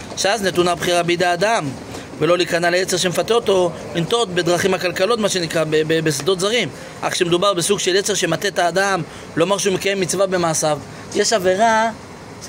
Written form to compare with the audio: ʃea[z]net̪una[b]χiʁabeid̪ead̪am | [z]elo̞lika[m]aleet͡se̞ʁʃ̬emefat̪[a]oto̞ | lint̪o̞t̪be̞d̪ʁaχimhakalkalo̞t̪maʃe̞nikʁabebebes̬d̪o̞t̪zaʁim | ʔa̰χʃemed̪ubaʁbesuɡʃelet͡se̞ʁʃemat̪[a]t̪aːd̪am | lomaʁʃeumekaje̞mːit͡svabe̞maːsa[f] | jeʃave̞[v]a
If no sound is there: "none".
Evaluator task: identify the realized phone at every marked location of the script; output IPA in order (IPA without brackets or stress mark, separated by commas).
z, b, v, n, e, e, v, ʁ